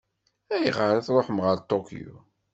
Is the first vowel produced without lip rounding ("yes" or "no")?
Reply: yes